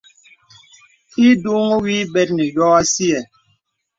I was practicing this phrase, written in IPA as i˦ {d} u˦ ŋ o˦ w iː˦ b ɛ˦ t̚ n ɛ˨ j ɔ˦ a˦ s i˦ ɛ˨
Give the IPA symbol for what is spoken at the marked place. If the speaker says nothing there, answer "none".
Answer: d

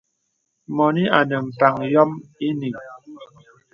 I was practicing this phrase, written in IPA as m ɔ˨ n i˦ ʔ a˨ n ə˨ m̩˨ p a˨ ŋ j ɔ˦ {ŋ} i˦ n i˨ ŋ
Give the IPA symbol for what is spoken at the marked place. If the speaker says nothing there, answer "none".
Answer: m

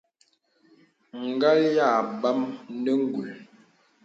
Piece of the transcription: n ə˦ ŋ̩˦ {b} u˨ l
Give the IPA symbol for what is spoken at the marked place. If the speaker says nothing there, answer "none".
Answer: ɡ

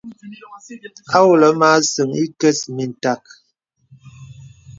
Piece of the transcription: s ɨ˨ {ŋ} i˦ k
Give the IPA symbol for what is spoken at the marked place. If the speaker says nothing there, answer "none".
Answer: ŋ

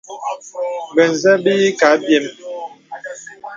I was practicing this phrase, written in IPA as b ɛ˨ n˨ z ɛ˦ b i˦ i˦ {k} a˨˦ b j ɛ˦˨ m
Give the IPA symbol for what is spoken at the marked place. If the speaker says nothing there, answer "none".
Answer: k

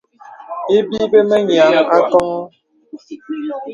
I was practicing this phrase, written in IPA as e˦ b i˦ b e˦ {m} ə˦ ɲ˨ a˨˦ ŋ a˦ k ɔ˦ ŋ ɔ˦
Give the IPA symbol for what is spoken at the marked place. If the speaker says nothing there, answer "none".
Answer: m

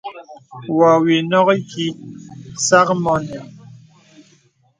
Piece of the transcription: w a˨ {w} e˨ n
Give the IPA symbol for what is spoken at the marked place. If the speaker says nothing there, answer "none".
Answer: w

